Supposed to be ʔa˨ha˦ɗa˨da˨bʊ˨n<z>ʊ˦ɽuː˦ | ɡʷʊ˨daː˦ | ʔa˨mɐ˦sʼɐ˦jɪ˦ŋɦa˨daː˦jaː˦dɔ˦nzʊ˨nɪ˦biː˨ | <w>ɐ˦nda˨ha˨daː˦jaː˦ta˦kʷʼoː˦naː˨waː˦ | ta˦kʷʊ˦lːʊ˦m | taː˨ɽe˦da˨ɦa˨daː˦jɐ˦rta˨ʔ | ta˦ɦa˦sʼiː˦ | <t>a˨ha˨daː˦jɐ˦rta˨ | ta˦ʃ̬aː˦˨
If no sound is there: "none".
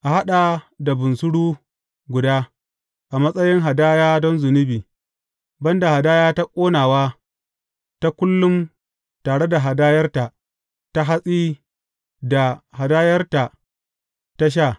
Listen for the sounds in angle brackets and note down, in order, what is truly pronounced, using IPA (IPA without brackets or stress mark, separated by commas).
s, b, d